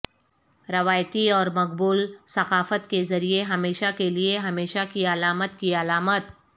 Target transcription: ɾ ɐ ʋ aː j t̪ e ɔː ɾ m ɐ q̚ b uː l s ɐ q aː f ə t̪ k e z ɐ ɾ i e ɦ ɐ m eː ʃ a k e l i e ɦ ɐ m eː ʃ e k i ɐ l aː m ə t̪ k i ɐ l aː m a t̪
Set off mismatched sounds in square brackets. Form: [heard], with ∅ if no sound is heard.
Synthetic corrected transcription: ɾ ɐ ʋ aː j t̪ [i] ɔː ɾ m ɐ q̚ b uː l s ɐ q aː f ə t̪ k e z ɐ ɾ i e ɦ ɐ m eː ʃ a k e l i e ɦ ɐ m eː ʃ [a] k i ɐ l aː m ə t̪ k i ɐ l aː m [ə] t̪